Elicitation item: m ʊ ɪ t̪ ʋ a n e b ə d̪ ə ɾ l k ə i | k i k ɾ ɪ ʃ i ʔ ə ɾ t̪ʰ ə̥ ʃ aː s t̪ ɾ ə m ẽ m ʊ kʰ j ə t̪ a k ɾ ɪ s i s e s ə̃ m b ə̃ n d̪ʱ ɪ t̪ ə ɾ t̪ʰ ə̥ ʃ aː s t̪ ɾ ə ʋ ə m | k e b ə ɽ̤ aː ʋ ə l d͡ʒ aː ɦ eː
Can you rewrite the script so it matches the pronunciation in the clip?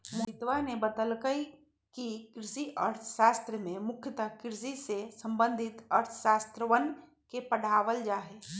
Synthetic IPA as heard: m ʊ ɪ t̪ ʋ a n e b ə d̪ ə l k ə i | k i k ɾ ɪ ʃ i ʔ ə ɾ t̪ʰ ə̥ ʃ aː s t̪ ɾ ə m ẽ m ʊ kʰ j ə t̪ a k ɾ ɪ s i s e s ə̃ m b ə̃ n d̪ʱ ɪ t̪ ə ɾ t̪ʰ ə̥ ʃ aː s t̪ ɾ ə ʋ ə n | k e p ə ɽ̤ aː ʋ ə l d͡ʒ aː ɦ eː